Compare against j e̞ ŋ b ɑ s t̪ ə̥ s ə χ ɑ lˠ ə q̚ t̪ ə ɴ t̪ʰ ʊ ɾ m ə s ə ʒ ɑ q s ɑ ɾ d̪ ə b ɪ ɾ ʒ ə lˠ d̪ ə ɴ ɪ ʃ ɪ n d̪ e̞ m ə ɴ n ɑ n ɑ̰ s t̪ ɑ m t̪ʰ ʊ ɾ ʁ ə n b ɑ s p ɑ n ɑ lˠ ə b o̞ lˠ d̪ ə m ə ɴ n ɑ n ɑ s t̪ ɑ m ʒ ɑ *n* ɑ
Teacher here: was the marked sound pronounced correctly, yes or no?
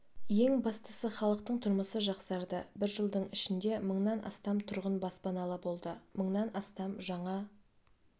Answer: no